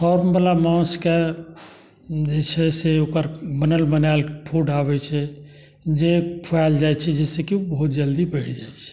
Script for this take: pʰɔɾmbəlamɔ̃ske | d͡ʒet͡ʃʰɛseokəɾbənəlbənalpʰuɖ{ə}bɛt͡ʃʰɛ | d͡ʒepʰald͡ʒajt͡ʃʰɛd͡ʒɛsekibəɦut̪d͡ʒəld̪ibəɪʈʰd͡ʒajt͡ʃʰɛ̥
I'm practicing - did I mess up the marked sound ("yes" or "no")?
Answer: yes